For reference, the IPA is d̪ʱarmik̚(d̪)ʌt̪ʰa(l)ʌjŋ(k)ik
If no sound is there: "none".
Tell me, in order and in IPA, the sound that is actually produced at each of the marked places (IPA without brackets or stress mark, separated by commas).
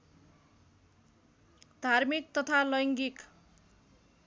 t̪, l, ɡ